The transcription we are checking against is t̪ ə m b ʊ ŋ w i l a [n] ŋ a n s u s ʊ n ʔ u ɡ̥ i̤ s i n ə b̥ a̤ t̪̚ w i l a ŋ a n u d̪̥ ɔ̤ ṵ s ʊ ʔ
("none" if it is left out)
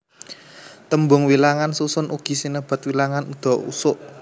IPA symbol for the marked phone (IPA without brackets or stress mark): none